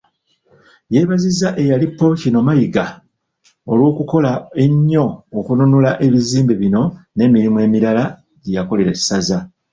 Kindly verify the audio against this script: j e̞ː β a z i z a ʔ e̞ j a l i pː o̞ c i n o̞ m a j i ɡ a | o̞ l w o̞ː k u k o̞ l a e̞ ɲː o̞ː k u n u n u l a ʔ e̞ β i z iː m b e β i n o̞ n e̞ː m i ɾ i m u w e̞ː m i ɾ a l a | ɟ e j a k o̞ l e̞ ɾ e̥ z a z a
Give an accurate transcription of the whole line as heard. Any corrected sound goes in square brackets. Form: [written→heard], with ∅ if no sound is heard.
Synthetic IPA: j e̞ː β a z i z a ʔ e̞ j a l i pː o̞ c i n o̞ m a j i ɡ a | o̞ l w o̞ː k u k o̞ l a e̞ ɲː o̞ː k u n u n u l a ʔ e̞ β i z iː m b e β i n o̞ n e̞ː m i ɾ i m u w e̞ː m i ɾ a l a | ɟ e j a k o̞ l e̞ ɾ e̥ [z→s] a z a